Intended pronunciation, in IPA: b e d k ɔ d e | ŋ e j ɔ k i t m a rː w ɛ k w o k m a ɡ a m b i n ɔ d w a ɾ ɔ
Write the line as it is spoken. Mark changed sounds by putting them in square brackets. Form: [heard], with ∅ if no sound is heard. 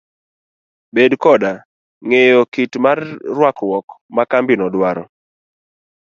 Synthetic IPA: b e d k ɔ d [a] | ŋ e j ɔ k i t m a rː w [a] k w [ɔ] k m a [k] a m b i n ɔ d w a ɾ ɔ